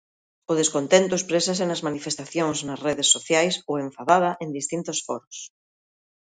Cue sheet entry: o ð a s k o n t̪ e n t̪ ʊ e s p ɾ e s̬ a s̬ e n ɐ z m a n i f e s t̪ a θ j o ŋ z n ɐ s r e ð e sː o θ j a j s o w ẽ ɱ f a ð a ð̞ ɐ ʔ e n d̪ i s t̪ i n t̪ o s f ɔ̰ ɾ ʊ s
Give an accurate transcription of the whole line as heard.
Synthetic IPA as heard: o ð e s k o n t̪ e n t̪ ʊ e s p ɾ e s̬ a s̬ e n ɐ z m a n i f e s t̪ a θ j o ŋ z n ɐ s r e ð e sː o θ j a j s o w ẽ ɱ f a ð a ð̞ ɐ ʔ e n d̪ i s t̪ i n t̪ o s f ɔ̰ ɾ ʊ s